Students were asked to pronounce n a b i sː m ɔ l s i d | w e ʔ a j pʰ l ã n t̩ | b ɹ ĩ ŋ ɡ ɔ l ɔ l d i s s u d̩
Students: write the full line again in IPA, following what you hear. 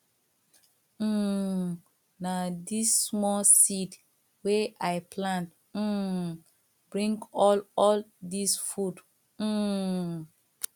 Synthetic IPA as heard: n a d i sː m ɔ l s i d | w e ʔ a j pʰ l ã n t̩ | b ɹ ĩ ŋ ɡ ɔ l ɔ l d i s f u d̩